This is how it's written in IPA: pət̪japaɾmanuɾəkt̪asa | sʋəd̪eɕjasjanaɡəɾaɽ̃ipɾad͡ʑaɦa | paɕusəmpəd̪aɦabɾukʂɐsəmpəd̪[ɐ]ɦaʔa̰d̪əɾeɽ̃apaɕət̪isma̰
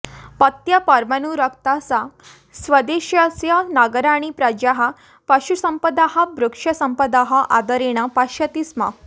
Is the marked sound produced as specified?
no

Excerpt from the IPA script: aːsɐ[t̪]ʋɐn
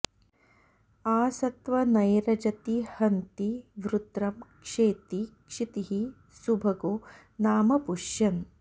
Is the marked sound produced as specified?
yes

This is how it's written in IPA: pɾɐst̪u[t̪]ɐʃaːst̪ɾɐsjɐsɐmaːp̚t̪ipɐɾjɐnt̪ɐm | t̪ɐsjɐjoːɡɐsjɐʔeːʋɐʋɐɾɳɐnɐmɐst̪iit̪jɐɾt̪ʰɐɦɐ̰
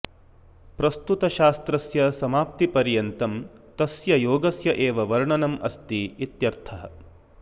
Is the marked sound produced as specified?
yes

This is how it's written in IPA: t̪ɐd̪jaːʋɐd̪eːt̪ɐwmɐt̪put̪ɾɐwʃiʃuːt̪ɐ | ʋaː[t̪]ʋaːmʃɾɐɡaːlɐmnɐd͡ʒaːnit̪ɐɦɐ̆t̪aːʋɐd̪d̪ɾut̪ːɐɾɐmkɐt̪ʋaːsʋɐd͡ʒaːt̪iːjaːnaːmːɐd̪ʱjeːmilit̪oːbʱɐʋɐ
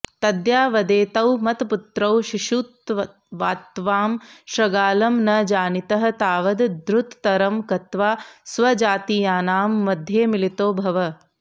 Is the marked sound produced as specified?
yes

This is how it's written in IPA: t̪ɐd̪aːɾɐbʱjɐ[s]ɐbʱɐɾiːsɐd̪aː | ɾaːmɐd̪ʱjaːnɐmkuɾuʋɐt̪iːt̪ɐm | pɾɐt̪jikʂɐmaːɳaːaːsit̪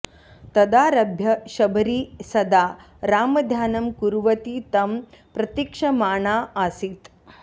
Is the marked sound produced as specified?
no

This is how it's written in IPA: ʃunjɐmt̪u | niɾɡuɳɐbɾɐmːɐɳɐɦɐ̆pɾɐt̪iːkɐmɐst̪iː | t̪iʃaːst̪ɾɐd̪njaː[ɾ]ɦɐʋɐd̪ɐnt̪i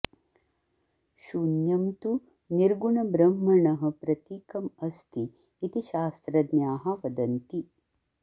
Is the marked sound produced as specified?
no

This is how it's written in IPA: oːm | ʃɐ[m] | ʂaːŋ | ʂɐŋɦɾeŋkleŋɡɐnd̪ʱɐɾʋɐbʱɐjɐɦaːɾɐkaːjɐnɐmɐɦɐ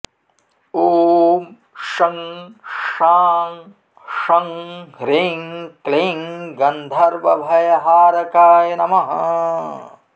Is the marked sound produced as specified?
no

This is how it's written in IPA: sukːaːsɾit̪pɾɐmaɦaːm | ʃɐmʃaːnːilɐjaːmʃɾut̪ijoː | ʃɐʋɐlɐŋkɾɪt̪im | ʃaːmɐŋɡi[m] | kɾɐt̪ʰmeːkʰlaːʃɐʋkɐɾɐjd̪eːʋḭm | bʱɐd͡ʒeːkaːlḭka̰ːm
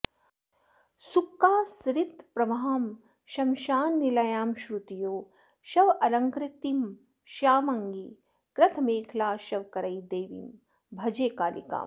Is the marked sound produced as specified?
no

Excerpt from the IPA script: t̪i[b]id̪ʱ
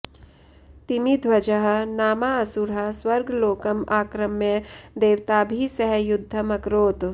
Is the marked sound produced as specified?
no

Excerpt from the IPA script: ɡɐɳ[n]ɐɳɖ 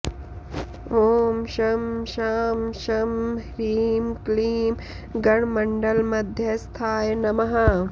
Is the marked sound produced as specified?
no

